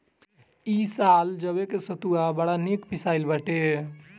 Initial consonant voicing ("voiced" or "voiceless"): voiceless